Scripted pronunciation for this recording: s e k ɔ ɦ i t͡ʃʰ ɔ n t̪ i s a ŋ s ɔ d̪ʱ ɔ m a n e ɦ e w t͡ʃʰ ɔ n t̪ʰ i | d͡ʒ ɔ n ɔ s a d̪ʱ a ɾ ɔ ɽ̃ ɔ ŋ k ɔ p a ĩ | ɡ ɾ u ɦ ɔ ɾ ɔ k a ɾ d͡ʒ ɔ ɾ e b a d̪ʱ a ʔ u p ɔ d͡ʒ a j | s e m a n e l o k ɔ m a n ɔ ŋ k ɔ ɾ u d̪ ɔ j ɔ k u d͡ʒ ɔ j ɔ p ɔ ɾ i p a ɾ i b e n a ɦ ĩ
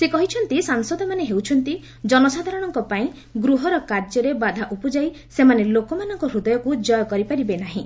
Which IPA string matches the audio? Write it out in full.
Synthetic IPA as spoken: s e k ɔ ɦ i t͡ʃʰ ɔ n t̪ i s a ŋ s ɔ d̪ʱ ɔ m a n e ɦ e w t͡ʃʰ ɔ n t̪ i | d͡ʒ ɔ n ɔ s a d̪ʱ a ɾ ɔ ɽ̃ ɔ ŋ k ɔ p a ĩ | ɡ ɾ u ɦ ɔ ɾ ɔ k a ɾ d͡ʒ ɔ ɾ e b a d̪ʱ a ʔ u p ɔ d͡ʒ a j | s e m a n e l o k ɔ m a n ɔ ŋ k ɔ ɾ u d̪ ɔ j ɔ k u d͡ʒ ɔ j ɔ k ɔ ɾ i p a ɾ i b e n a ɦ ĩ

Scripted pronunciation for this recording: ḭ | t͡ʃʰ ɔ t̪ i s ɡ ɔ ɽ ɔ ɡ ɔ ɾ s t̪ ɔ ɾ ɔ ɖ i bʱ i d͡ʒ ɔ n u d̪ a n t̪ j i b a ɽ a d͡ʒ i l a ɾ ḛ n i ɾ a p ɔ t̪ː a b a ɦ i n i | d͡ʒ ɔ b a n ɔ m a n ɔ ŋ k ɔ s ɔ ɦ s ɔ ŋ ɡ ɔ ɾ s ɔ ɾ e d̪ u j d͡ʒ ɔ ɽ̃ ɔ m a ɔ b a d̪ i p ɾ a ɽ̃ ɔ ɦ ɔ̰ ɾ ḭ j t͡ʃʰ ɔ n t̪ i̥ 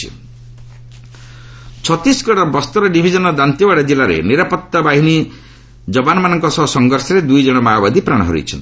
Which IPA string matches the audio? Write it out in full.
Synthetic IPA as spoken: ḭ | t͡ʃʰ ɔ t̪ i s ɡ ɔ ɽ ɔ b ɔ s t̪ ɔ ɾ ɔ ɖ i bʱ i d͡ʒ ɔ n ɔ d̪ a n t̪ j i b a ɽ a d͡ʒ i l a ɾ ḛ n i ɾ a p ɔ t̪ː a b a ɦ i n i | d͡ʒ ɔ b a n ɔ m a n ɔ ŋ k ɔ s ɔ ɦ s ɔ ŋ ɡ ɔ ɾ s ɔ ɾ e d̪ u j d͡ʒ ɔ ɽ̃ ɔ m a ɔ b a d̪ i p ɾ a ɽ̃ ɔ ɦ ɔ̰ ɾ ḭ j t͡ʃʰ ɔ n t̪ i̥

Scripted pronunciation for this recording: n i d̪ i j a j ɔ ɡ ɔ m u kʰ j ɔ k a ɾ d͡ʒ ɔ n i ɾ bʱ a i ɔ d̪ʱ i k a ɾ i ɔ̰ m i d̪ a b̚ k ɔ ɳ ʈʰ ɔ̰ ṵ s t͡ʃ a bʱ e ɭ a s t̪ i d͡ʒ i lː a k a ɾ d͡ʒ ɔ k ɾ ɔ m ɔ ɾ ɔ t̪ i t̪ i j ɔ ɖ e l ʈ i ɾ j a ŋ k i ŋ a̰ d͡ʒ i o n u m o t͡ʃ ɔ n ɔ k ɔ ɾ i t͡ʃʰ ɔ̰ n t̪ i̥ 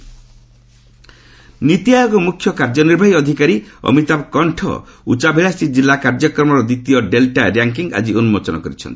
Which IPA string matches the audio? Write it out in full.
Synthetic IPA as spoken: n i t̪ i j a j ɔ ɡ ɔ m u kʰ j ɔ k a ɾ d͡ʒ ɔ n i ɾ bʱ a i ɔ d̪ʱ i k a ɾ i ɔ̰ m i t̪ a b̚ k ɔ ɳ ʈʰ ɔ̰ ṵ t͡ʃ a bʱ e ɭ a s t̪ i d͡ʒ i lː a k a ɾ d͡ʒ ɔ k ɾ ɔ m ɔ ɾ ɔ d̪ i t̪ i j ɔ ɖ e l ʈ a ɾ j a ŋ k i ŋ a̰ d͡ʒ i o n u m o t͡ʃ ɔ n ɔ k ɔ ɾ i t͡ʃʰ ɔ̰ n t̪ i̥

